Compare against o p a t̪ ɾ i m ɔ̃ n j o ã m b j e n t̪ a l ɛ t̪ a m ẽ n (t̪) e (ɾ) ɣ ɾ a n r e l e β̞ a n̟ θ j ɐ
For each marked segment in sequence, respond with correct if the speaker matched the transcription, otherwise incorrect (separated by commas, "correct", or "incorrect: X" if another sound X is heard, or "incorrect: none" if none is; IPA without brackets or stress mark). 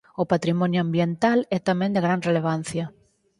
incorrect: d̪, incorrect: none